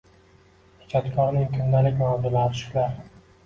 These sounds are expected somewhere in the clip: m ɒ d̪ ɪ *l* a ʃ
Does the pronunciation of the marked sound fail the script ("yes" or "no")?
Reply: no